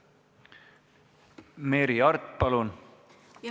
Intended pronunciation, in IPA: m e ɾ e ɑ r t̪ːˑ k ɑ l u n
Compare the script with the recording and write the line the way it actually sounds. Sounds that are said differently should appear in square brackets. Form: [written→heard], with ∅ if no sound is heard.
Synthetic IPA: m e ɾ [e→i] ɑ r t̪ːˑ [k→p] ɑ l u n